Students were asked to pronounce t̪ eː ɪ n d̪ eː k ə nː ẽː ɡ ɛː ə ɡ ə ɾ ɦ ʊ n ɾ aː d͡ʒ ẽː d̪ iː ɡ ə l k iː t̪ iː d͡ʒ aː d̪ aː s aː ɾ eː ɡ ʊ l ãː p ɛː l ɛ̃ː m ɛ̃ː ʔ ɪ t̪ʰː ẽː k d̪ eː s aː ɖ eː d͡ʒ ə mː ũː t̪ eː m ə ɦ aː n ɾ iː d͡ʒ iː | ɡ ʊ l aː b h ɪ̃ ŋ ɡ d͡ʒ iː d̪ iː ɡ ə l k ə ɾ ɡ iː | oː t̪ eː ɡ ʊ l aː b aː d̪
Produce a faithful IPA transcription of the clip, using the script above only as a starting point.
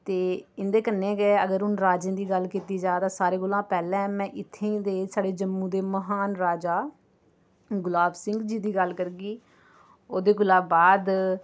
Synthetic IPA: t̪ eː ɪ n d̪ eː k ə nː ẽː ɡ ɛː ə ɡ ə ɾ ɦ ʊ n ɾ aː d͡ʒ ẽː d̪ iː ɡ ə l k iː t̪ iː d͡ʒ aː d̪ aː s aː ɾ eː ɡ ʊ l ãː p ɛː l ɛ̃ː m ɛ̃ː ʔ ɪ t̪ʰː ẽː d̪ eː s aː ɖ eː d͡ʒ ə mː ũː d̪ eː m ə ɦ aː n ɾ aː d͡ʒ aː | ɡ ʊ l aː b s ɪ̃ ŋ ɡ d͡ʒ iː d̪ iː ɡ ə l k ə ɾ ɡ iː | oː d̪ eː ɡ ʊ l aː b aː d̪